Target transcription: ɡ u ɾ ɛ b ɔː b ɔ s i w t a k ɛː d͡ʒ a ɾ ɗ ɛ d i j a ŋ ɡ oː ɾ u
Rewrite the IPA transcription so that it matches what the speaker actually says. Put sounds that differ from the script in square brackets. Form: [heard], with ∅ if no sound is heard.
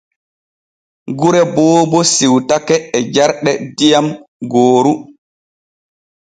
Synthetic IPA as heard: ɡ u ɾ ɛ b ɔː b ɔ s i w t a k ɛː d͡ʒ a ɾ ɗ ɛ d i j a [m] ɡ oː ɾ u